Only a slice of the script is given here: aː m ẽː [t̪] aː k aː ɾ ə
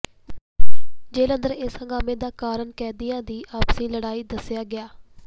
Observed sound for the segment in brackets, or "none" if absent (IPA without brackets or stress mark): d̪